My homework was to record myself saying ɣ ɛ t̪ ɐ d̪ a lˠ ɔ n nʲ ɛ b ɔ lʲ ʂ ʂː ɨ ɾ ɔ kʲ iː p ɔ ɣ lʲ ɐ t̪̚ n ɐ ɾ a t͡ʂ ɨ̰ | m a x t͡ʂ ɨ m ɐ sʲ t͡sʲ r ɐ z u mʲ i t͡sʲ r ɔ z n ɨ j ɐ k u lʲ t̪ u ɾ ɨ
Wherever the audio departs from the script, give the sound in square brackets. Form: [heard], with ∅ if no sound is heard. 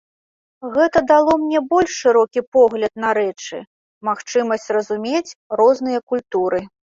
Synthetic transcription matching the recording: ɣ ɛ t̪ ɐ d̪ a lˠ ɔ [m] nʲ ɛ b ɔ lʲ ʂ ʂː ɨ ɾ ɔ kʲ [i] p ɔ ɣ lʲ ɐ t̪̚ n ɐ ɾ [ɛ] t͡ʂ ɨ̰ | m a x t͡ʂ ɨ m ɐ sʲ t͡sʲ r ɐ z u mʲ [e] t͡sʲ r ɔ z n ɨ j ɐ k u lʲ t̪ u ɾ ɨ